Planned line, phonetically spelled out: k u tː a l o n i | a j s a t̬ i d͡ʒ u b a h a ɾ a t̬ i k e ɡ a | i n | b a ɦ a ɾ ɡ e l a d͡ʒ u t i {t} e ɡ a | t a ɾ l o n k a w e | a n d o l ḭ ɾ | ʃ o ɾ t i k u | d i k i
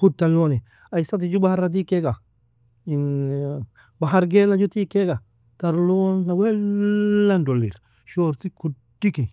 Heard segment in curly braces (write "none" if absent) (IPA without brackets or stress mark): k